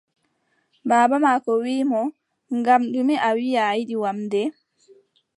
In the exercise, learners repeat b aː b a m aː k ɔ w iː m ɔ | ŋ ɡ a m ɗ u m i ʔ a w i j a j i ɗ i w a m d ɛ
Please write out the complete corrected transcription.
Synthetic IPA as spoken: b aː b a m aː k ɔ w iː m ɔ | ŋ ɡ a m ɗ u m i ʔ a w i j a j i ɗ i w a m d ɛ